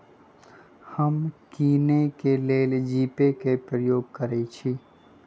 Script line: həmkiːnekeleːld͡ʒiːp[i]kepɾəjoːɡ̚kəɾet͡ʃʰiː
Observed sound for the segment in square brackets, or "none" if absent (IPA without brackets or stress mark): e